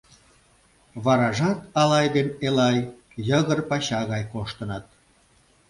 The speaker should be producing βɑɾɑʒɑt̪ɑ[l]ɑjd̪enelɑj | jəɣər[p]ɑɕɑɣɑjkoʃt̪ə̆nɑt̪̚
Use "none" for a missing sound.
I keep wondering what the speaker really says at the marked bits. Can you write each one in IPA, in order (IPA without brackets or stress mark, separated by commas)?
l, p